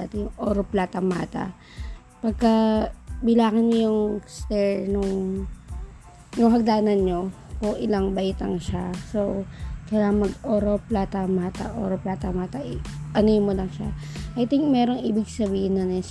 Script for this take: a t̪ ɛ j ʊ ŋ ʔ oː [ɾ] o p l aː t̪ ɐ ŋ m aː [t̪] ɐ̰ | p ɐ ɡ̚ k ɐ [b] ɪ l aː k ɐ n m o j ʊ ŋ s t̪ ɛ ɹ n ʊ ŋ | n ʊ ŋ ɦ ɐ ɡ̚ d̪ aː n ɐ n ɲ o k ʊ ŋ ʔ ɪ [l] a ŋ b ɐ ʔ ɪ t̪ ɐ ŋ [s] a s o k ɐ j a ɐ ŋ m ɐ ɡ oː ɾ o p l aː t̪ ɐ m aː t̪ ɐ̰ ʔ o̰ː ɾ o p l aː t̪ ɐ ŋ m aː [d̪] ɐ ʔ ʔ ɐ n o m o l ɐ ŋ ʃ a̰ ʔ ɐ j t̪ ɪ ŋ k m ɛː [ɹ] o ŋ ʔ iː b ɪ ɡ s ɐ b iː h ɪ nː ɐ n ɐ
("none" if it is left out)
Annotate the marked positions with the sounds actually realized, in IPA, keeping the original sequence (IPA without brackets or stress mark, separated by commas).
ɾ, t̪, b, l, ʃ, t̪, ɾ